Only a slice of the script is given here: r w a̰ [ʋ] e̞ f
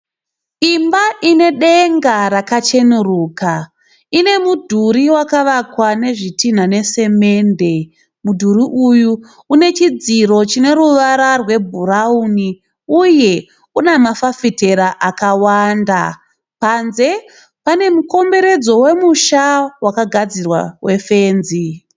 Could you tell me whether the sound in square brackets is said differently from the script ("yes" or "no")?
yes